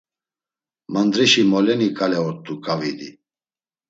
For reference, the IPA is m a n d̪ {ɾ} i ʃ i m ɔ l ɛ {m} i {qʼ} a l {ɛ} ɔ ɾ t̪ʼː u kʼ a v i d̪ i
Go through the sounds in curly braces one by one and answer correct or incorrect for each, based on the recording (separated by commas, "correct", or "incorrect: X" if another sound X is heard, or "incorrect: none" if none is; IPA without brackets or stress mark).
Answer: correct, incorrect: n, incorrect: kʼ, correct